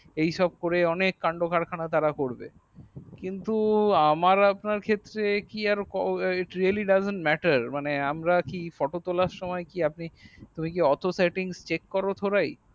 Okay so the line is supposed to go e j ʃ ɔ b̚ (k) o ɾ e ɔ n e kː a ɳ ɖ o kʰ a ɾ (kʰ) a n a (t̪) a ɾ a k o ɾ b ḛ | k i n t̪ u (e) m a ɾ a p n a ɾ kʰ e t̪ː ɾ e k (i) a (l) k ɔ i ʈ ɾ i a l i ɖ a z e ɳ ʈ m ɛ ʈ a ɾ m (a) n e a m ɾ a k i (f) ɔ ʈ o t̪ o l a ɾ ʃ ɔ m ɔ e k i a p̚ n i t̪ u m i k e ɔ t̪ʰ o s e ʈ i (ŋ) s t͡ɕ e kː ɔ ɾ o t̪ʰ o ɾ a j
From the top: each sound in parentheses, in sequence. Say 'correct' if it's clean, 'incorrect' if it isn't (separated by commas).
correct, correct, correct, incorrect, correct, incorrect, correct, correct, correct